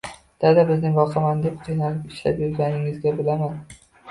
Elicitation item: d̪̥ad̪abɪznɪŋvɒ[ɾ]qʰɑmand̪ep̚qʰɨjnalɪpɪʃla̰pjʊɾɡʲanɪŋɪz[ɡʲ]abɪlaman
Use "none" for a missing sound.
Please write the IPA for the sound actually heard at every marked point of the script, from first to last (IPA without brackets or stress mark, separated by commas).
none, ɡʲ